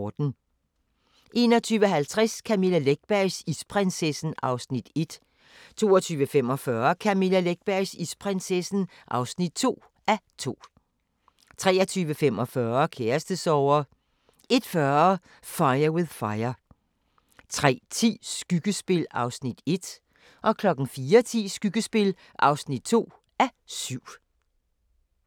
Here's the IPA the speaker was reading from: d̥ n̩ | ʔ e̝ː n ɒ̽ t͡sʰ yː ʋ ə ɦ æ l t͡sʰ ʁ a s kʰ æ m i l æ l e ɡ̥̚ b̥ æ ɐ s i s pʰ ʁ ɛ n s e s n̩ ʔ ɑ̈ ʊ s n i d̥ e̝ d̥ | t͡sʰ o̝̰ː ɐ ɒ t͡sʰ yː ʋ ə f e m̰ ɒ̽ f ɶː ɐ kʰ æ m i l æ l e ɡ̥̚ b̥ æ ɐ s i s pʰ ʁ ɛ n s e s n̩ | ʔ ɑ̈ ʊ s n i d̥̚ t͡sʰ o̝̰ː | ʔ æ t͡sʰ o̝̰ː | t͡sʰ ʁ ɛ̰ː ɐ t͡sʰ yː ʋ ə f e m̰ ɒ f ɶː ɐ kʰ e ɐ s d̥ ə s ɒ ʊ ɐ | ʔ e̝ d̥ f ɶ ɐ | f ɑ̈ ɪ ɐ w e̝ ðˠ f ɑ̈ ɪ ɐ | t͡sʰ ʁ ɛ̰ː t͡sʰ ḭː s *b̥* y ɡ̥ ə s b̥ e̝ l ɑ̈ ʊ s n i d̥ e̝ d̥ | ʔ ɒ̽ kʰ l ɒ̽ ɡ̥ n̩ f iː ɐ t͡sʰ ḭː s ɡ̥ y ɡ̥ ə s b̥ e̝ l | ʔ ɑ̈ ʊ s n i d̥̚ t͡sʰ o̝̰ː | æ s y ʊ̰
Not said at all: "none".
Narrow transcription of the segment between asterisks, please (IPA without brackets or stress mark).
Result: ɡ̥